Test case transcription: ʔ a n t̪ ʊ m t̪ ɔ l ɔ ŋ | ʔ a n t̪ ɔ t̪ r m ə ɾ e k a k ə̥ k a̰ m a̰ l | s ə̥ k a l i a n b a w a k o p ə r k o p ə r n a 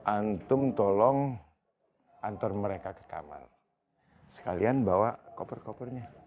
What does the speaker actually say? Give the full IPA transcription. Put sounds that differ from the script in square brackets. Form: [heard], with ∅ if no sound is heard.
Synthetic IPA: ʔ a n t̪ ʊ m t̪ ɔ l ɔ ŋ | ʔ a n t̪ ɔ [∅] r m ə ɾ e k a k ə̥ k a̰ m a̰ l | s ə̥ k a l i a n b a w a k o p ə r k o p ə r [ɲ] a